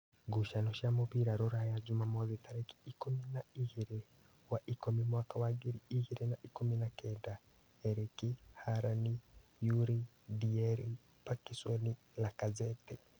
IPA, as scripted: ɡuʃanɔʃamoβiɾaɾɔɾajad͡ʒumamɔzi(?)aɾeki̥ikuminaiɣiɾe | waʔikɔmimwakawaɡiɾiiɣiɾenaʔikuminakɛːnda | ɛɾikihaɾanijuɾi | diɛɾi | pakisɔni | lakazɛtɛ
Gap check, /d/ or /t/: t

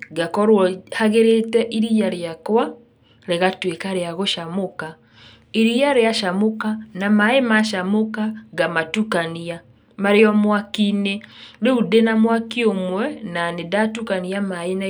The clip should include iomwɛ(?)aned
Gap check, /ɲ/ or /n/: n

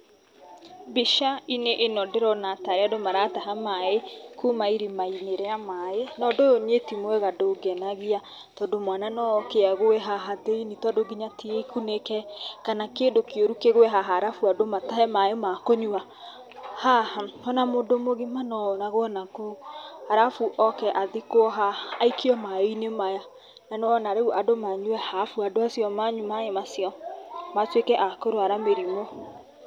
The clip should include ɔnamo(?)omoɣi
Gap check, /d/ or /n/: d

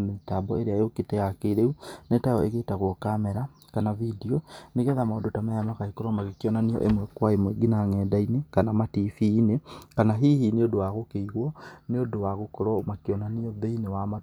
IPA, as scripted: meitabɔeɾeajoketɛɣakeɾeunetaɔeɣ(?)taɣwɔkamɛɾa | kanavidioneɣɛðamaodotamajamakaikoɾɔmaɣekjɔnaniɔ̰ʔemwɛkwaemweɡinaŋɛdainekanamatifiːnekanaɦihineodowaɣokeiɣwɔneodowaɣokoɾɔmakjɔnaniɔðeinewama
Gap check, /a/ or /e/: e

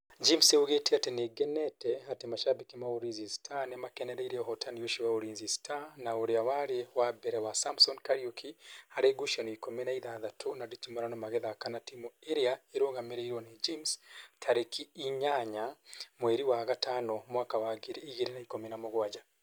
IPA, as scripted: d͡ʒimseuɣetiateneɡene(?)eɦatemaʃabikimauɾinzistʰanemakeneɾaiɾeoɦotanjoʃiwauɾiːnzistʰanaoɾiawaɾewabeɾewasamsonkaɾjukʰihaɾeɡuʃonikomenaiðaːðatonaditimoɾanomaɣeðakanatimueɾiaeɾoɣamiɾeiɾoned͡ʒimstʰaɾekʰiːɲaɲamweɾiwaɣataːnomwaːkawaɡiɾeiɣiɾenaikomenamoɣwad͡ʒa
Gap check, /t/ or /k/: t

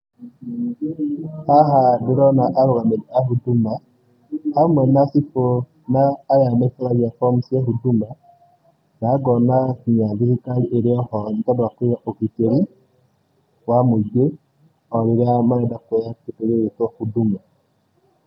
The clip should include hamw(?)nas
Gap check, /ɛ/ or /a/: ɛ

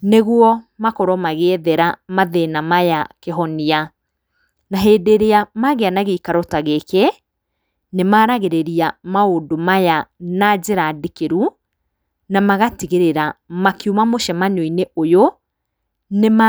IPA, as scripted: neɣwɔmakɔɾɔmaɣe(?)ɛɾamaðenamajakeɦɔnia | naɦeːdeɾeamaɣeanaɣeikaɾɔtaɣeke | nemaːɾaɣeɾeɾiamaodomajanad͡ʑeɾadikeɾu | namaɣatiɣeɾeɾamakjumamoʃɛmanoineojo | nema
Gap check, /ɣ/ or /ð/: ð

